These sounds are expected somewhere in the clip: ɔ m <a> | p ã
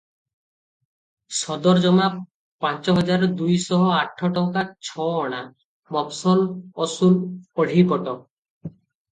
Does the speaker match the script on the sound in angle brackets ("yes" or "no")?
yes